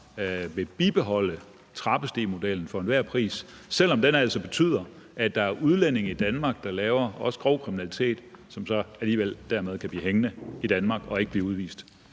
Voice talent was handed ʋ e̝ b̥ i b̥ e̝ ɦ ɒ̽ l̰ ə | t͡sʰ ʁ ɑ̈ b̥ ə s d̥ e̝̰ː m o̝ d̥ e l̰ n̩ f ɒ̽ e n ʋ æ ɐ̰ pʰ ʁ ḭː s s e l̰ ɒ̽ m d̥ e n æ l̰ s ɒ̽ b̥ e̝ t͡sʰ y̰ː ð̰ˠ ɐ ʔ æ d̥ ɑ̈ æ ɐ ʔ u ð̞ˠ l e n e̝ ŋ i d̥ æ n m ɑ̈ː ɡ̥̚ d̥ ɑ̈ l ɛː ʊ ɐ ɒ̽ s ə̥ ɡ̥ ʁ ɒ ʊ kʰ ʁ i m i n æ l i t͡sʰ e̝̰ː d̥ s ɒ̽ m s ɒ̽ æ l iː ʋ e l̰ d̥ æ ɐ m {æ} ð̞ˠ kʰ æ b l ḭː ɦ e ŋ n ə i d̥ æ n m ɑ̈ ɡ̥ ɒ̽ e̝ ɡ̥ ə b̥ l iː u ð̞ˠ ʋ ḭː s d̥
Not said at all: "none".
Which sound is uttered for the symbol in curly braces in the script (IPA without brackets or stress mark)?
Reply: e